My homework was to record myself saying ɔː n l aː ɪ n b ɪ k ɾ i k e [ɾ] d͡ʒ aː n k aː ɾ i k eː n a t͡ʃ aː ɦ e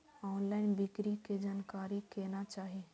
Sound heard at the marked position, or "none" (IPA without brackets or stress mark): none